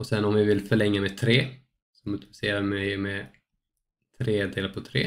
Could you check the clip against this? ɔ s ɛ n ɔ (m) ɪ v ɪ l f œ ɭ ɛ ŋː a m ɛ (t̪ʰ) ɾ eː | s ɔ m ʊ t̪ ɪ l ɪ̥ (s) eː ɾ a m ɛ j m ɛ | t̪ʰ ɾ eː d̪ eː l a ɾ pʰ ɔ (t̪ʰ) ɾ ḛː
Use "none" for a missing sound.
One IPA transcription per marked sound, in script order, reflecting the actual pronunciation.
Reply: m, t̪ʰ, s, t̪ʰ

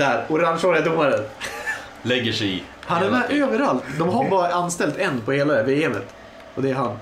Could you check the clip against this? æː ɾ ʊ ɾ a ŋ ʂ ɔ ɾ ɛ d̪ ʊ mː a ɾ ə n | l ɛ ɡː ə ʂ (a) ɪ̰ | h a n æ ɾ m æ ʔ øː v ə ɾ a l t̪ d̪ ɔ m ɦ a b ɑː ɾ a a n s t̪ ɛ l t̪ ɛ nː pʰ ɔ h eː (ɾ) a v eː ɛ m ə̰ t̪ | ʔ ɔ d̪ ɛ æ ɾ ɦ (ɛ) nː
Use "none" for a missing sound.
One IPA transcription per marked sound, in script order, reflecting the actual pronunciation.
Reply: ɛ, l, a

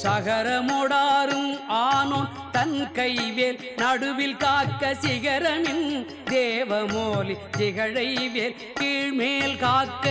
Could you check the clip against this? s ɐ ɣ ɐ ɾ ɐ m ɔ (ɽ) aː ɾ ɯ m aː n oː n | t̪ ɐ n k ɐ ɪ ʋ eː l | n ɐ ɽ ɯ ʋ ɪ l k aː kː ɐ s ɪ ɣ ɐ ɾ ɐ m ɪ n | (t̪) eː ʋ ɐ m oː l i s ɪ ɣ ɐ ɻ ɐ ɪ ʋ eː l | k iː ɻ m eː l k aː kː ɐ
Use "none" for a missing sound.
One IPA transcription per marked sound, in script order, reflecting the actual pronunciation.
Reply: ɽ, d̪

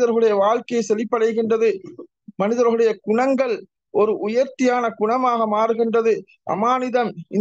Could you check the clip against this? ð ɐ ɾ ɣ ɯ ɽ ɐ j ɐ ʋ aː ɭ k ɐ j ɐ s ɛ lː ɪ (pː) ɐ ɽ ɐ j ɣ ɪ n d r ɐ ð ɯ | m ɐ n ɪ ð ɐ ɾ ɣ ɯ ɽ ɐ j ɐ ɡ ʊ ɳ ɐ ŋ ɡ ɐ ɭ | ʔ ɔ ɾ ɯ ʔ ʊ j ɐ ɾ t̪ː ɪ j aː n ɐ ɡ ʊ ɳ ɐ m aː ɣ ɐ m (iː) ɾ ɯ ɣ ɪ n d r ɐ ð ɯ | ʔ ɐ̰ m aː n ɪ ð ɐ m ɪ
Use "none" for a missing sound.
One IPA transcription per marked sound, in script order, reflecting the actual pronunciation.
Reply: pː, aː

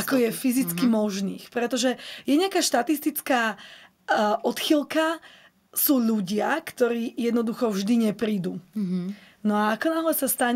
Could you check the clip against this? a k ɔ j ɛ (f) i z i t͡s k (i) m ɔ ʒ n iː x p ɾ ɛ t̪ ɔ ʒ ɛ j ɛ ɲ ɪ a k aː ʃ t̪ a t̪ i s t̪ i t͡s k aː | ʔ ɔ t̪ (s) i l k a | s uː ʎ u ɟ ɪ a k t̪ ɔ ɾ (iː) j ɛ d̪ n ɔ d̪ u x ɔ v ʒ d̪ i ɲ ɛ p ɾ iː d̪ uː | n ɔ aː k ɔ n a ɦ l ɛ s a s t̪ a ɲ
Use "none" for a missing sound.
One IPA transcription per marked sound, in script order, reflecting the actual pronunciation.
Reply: f, i, x, iː

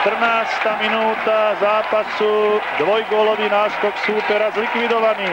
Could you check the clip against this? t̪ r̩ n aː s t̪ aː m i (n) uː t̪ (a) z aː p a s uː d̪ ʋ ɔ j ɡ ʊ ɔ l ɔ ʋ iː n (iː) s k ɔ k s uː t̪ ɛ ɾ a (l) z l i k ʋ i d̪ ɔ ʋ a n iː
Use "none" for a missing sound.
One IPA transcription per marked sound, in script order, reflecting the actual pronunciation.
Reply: n, a, aː, none

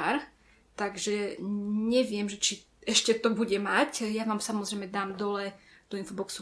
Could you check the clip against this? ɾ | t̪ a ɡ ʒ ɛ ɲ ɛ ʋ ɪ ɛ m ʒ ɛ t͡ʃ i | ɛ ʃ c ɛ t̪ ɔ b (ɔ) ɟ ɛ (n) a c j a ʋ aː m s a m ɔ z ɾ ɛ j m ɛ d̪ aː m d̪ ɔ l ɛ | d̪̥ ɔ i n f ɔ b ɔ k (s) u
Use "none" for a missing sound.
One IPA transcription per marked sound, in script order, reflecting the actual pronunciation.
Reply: u, m, s

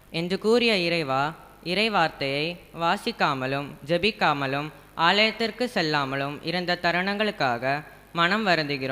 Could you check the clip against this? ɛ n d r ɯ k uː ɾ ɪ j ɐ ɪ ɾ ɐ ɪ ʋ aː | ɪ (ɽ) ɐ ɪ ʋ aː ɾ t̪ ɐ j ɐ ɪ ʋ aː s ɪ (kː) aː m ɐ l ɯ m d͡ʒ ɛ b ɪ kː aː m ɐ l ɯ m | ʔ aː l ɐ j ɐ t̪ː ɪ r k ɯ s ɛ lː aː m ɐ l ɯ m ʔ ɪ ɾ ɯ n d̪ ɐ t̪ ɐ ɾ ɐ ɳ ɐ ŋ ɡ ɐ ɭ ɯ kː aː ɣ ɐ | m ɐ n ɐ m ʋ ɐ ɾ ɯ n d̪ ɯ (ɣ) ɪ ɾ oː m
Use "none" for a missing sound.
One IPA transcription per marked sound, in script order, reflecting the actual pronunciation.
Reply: ɾ, kː, ɣ

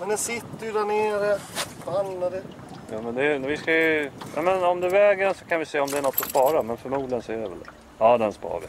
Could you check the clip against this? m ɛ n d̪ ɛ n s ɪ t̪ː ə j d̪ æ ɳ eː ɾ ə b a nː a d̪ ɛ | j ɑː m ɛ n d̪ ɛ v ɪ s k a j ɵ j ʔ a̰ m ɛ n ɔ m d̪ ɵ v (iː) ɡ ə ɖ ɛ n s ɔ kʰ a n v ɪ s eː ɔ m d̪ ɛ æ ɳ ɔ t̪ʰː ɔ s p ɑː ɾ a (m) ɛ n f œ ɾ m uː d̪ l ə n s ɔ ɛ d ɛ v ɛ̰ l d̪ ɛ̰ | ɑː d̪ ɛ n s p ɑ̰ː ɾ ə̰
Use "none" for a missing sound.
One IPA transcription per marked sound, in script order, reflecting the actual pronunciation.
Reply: ɛː, m

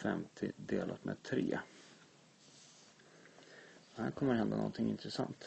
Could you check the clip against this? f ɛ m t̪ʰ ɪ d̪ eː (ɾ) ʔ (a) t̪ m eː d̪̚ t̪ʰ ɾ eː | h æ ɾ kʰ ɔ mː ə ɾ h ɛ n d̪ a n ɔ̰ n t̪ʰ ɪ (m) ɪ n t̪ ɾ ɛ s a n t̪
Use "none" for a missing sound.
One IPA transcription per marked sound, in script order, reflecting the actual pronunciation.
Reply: l, a, ŋ

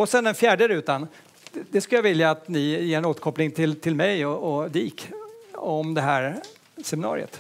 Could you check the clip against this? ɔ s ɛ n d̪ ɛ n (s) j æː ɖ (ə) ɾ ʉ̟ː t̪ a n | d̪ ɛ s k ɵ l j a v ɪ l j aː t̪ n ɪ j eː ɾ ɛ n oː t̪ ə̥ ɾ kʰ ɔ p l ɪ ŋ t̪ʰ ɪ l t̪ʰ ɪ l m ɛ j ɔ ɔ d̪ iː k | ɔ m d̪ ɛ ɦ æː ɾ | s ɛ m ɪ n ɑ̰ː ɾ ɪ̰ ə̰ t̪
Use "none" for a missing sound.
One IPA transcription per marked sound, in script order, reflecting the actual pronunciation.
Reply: f, ə

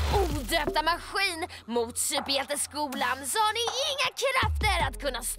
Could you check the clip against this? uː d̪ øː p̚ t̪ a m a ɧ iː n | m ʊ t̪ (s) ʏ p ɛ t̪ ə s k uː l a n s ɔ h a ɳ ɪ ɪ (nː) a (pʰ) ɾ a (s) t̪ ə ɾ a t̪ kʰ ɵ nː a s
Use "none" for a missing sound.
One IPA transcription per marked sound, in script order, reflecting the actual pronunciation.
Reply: s, ŋː, kʰ, f

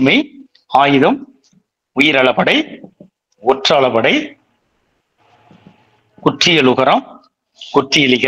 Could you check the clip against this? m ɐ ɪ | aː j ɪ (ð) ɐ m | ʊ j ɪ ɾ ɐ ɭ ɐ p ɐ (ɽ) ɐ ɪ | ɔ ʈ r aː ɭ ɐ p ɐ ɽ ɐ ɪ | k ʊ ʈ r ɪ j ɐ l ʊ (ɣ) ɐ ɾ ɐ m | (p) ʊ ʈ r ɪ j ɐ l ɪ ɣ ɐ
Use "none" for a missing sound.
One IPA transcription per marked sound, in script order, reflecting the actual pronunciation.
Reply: ð, ɽ, ɣ, k

